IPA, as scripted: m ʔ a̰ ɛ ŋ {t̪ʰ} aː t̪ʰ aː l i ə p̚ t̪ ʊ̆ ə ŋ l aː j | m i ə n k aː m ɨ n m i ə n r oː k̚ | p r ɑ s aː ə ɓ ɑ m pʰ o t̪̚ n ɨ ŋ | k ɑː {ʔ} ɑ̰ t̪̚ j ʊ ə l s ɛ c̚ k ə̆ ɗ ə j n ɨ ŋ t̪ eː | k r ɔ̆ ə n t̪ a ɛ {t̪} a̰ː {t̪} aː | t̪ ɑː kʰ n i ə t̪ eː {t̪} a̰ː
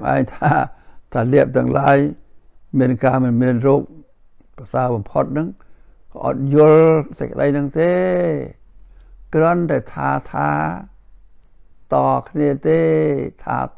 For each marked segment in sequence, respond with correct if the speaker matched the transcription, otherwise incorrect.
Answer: correct, correct, incorrect: t̪ʰ, incorrect: t̪ʰ, incorrect: t̪ʰ

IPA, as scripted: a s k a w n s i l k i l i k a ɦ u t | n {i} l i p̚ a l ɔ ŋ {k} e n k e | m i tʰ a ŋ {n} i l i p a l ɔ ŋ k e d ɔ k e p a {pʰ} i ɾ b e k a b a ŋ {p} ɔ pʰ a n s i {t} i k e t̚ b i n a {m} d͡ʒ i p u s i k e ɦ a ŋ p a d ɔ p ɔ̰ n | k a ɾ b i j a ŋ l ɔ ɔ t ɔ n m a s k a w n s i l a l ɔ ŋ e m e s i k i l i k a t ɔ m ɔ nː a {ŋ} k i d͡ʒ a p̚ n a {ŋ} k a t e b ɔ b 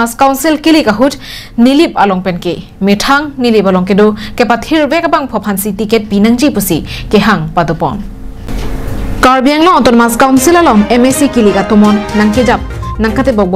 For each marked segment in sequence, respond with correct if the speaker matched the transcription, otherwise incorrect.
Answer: correct, incorrect: p, correct, incorrect: tʰ, incorrect: pʰ, correct, incorrect: ŋ, correct, correct

